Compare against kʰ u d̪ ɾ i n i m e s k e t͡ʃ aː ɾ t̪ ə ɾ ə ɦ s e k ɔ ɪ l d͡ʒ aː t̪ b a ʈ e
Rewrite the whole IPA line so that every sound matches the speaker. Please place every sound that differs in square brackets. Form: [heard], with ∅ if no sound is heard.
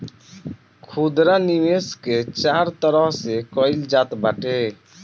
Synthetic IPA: kʰ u d̪ ɾ [a] n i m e s k e t͡ʃ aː ɾ t̪ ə ɾ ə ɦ s e k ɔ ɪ l d͡ʒ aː t̪ b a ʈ e